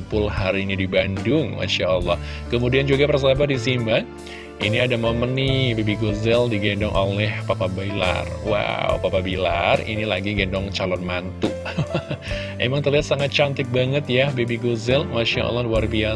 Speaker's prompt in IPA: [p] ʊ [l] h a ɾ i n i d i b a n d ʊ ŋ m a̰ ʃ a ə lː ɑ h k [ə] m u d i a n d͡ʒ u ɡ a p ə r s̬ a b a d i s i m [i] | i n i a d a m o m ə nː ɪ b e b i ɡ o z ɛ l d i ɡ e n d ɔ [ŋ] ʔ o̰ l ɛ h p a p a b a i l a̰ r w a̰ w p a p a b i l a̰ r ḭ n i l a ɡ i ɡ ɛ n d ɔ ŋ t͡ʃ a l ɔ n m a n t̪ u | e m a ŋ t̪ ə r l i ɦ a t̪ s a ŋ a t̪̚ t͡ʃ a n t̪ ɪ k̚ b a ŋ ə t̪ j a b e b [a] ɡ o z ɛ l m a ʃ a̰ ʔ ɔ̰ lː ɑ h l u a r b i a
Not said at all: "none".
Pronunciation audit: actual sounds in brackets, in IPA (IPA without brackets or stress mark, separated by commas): p, l, ə, a, ŋ, i